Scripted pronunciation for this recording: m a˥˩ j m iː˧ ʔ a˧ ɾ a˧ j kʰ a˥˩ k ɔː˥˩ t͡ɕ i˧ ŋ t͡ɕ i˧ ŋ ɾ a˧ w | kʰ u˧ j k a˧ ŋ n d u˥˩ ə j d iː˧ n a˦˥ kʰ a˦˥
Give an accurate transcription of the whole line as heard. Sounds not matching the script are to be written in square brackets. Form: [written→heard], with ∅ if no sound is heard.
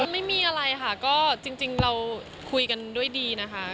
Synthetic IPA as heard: m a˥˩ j m iː˧ ʔ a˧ ɾ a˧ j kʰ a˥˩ k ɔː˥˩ t͡ɕ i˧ ŋ t͡ɕ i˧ ŋ ɾ a˧ w | kʰ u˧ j k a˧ [ŋ→∅] n d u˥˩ ə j d iː˧ n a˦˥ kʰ a˦˥